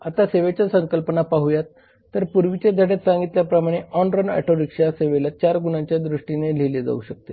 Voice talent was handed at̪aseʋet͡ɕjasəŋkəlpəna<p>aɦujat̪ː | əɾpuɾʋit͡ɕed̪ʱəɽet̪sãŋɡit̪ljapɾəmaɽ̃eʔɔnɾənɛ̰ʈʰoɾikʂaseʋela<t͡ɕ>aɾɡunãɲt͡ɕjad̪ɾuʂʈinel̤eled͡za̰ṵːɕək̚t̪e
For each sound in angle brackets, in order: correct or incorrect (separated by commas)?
correct, correct